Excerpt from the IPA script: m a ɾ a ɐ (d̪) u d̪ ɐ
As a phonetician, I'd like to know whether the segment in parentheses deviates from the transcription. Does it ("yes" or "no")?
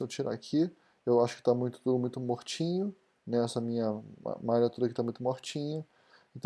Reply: yes